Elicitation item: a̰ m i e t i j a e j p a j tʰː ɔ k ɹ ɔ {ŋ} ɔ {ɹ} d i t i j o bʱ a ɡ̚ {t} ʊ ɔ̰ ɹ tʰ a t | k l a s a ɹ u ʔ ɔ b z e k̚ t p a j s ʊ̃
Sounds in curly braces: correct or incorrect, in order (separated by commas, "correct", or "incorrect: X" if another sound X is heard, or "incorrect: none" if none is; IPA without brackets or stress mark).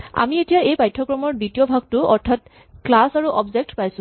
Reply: incorrect: m, correct, correct